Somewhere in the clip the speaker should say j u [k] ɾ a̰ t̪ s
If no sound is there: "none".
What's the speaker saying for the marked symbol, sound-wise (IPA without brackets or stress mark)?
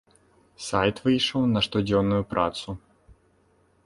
p